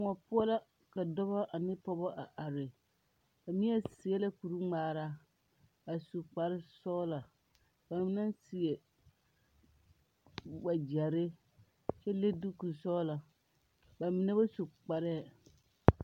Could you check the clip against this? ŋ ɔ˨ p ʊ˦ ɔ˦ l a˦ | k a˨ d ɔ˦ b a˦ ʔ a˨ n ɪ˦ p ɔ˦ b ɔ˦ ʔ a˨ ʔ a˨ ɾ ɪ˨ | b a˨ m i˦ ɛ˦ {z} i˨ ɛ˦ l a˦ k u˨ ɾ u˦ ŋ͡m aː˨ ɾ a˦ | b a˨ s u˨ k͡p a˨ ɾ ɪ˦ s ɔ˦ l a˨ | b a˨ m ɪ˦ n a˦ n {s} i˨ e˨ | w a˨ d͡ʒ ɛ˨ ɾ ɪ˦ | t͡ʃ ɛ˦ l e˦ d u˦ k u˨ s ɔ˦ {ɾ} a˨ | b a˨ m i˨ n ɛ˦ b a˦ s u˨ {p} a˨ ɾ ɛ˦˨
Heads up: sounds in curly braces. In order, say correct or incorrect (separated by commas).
incorrect, correct, incorrect, incorrect